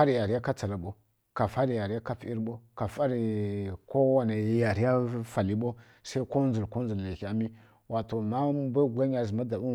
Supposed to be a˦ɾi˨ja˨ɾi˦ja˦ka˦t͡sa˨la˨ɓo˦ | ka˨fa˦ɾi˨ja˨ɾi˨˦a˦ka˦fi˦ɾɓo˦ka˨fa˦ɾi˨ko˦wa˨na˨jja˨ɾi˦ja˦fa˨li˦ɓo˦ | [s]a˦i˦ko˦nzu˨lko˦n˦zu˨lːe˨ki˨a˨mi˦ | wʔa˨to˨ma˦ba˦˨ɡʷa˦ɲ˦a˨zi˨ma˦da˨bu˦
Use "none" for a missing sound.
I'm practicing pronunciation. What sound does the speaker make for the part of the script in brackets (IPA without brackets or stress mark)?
s